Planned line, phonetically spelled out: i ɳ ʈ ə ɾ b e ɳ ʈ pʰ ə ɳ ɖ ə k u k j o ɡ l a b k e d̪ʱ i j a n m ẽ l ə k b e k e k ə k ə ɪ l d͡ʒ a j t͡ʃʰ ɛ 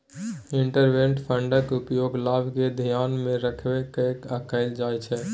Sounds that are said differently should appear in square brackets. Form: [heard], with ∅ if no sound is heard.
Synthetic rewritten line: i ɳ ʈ ə ɾ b e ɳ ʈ pʰ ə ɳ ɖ ə k u [p] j o ɡ l a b k e d̪ʱ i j a n m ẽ [ɾ] ə [kʰ] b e k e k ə k ə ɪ l d͡ʒ a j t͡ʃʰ ɛ

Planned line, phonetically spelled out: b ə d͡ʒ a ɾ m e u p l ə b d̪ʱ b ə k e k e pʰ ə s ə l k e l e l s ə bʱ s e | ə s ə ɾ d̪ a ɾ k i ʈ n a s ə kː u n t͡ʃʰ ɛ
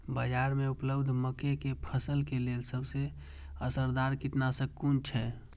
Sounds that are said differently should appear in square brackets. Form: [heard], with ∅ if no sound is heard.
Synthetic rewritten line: b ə d͡ʒ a ɾ m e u p l ə b d̪ʱ [m] ə k e k e pʰ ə s ə l k e l e l s ə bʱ s e | ə s ə ɾ d̪ a ɾ k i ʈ n a s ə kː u n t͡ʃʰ ɛ

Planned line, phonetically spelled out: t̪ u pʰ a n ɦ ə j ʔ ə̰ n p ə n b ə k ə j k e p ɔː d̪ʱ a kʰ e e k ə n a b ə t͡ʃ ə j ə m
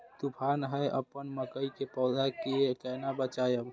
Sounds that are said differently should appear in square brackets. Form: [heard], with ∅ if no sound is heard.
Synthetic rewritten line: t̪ u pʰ a n ɦ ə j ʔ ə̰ [∅] p ə n [m] ə k ə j k e p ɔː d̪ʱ a [k] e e k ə n a b ə t͡ʃ [a] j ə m

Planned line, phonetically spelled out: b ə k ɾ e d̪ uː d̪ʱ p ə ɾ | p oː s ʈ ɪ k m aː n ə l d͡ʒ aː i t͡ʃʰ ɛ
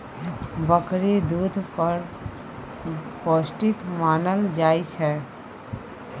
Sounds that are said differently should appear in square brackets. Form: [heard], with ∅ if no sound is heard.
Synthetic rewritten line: b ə k ɾ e d̪ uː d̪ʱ p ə ɾ | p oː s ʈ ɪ k m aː n ə l d͡ʒ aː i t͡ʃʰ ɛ

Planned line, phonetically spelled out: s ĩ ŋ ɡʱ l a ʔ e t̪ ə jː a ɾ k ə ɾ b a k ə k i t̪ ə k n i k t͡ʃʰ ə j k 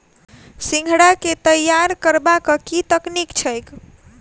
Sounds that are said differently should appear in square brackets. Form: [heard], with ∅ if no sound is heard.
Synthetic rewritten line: s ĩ ŋ ɡʱ [ɽ] a [k] e t̪ ə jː a ɾ k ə ɾ b a k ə k i t̪ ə k n i k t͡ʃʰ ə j k

